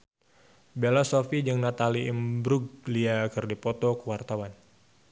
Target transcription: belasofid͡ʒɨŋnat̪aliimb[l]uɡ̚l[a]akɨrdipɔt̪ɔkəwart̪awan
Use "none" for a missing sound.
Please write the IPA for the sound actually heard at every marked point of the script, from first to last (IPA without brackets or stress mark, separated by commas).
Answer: ɾ, i